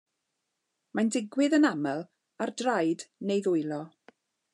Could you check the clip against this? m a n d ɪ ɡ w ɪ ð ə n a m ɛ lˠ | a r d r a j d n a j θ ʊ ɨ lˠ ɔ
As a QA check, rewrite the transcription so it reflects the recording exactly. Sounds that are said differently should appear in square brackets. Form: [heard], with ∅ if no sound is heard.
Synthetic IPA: m a n d ɪ ɡ w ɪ ð ə n a m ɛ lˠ | a r d r a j d n [e] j [ð] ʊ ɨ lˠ ɔ